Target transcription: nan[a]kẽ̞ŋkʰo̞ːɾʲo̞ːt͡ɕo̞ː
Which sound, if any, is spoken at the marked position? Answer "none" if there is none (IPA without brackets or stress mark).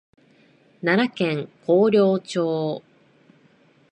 a